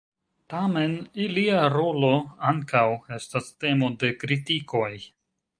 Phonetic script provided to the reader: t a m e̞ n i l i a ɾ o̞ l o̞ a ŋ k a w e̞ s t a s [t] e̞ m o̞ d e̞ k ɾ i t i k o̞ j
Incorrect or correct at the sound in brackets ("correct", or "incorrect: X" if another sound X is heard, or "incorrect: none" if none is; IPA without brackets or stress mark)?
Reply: correct